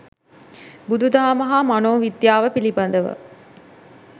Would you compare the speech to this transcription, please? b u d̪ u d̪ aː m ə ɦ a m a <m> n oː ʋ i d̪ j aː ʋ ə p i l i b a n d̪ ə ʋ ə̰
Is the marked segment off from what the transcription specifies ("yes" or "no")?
yes